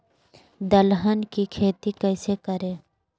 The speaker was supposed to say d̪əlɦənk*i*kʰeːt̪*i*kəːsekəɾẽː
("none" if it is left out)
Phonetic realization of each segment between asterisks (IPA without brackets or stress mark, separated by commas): i, i